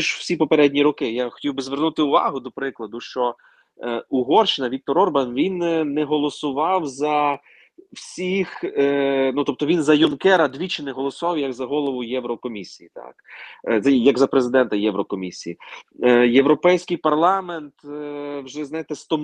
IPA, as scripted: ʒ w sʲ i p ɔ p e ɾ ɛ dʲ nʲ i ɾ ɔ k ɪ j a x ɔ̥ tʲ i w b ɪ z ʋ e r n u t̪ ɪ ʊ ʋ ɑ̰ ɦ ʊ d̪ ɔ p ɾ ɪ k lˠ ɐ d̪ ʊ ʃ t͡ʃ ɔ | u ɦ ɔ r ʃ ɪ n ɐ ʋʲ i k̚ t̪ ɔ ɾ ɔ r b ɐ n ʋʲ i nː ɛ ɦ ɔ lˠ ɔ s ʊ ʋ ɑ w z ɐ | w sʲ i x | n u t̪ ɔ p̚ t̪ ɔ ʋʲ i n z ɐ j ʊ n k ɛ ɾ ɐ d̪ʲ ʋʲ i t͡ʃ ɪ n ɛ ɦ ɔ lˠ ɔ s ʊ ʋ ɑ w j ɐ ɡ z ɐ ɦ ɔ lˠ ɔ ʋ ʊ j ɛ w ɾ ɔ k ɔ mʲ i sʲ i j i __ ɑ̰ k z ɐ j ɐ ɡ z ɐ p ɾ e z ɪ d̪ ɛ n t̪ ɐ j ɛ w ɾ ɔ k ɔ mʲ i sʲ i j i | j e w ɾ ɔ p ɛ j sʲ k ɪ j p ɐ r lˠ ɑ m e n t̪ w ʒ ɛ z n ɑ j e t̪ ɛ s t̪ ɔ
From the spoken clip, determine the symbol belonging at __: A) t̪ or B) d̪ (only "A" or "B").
A